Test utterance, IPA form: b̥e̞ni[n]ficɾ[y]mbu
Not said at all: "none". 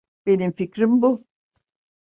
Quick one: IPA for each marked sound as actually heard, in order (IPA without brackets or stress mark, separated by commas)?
m, i